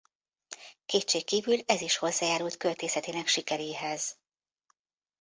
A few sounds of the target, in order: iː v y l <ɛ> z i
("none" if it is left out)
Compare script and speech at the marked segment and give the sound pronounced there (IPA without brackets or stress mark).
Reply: ɛ